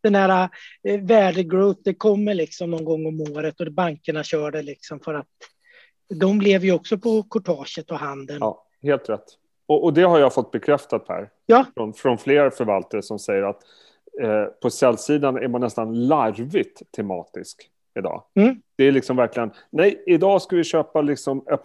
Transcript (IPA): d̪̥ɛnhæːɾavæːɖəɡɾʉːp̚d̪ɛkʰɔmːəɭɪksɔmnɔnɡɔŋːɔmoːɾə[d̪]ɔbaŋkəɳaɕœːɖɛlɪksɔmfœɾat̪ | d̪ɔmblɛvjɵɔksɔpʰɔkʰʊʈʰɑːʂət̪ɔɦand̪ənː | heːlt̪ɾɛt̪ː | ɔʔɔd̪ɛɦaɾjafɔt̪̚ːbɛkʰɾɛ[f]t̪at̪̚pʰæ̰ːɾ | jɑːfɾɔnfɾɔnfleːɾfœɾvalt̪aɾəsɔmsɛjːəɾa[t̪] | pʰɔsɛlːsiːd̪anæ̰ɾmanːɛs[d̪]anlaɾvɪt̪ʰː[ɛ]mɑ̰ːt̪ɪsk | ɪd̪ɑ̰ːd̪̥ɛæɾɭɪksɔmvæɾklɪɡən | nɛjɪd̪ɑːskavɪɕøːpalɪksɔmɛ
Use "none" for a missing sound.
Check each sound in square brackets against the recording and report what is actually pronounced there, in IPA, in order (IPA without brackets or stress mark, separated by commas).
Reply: t̪, f, t̪, t̪, ɛ